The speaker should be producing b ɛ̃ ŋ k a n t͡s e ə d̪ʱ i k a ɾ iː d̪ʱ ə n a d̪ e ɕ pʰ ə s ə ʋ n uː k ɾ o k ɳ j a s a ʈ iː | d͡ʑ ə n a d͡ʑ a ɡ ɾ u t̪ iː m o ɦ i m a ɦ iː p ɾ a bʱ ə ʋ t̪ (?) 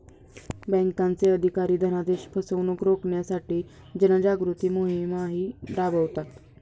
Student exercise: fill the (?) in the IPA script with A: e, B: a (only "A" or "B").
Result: B